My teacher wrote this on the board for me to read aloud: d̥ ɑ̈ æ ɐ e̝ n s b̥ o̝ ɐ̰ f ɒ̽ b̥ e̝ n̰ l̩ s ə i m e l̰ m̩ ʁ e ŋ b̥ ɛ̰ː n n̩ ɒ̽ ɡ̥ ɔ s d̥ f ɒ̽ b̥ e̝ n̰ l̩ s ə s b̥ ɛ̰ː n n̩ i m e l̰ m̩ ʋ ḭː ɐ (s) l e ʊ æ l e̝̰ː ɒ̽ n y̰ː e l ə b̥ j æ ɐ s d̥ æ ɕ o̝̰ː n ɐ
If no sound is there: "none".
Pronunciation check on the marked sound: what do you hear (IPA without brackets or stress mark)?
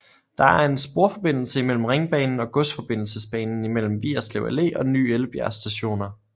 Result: s